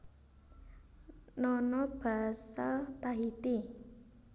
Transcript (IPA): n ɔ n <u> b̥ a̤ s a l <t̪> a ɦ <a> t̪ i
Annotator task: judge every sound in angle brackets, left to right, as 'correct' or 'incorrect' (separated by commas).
incorrect, correct, incorrect